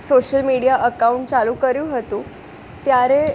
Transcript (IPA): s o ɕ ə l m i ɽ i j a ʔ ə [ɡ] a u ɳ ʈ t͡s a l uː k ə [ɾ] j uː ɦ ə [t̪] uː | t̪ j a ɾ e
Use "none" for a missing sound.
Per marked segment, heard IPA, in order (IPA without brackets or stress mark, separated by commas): k, ɾ, t̪